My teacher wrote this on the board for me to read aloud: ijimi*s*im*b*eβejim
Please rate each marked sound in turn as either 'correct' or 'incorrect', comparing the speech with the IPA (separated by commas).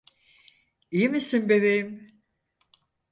correct, correct